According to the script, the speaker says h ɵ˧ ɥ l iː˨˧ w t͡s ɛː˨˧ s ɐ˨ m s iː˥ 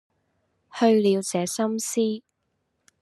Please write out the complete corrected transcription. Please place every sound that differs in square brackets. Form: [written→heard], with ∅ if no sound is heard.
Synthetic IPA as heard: h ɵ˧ ɥ l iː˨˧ w t͡s ɛː˨˧ s [ɐ˨→ɐ˥] m s iː˥